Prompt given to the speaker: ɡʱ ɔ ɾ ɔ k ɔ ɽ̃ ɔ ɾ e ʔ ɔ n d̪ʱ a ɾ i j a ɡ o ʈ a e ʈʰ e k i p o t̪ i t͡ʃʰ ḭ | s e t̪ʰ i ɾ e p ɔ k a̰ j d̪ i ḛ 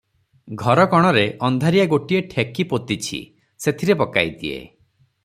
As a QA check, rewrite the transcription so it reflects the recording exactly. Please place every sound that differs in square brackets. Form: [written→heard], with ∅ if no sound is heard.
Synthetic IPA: ɡʱ ɔ ɾ ɔ k ɔ ɽ̃ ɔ ɾ e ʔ ɔ n d̪ʱ a ɾ i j a ɡ o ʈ [a→i] e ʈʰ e k i p o t̪ i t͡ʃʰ ḭ | s e t̪ʰ i ɾ e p ɔ k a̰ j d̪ i ḛ